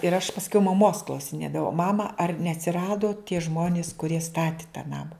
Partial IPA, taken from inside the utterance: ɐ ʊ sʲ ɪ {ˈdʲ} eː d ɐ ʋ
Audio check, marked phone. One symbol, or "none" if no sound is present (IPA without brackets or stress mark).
nʲ